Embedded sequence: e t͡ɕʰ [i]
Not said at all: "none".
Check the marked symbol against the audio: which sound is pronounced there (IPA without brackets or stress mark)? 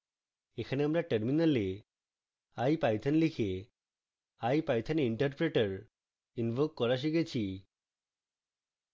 i